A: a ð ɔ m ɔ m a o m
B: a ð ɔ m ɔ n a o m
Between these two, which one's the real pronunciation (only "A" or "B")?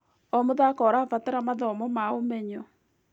A